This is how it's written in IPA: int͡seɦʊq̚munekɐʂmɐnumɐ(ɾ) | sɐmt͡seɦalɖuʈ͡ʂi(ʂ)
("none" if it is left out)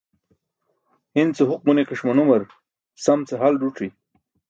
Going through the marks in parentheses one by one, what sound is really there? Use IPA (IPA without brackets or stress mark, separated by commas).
ɾ, none